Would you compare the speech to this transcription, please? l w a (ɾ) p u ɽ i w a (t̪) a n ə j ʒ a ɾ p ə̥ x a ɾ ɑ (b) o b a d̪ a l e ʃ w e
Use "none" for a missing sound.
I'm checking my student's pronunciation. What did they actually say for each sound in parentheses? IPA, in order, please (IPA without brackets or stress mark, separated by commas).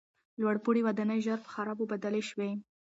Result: ɽ, d̪, b